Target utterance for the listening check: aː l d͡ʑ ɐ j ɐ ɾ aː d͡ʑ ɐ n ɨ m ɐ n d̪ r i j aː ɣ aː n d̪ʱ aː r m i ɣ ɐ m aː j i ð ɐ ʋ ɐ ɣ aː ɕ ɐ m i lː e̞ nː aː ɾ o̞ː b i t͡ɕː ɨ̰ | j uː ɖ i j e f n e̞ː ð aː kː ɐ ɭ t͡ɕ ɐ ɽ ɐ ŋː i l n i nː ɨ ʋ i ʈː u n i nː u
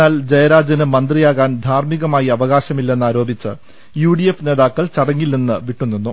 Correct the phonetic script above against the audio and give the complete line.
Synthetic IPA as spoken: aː l d͡ʑ ɐ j ɐ ɾ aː d͡ʑ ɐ n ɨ m ɐ n d̪ r i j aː ɣ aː n d̪ʱ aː r m i ɣ ɐ m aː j i ɐ ʋ ɐ ɣ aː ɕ ɐ m i lː e̞ nː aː ɾ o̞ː b i t͡ɕː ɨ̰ | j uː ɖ i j e f n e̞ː ð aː kː ɐ ɭ t͡ɕ ɐ ɽ ɐ ŋː i l n i nː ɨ ʋ i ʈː u nː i nː u